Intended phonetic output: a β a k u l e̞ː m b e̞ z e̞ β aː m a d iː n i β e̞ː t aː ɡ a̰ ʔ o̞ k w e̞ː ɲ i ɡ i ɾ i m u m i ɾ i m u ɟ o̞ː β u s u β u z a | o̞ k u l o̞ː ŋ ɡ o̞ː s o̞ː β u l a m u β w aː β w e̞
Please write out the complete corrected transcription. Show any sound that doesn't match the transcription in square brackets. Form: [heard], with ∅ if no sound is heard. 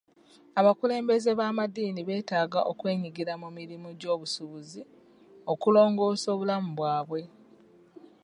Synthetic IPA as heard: a β a k u l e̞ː m b e̞ z e̞ β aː m a d iː n i β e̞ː t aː ɡ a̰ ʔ o̞ k w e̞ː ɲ i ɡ i ɾ [a] m u m i ɾ i m u ɟ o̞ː β u s u β u z [i] | o̞ k u l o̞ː ŋ ɡ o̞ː s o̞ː β u l a m u β w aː β w e̞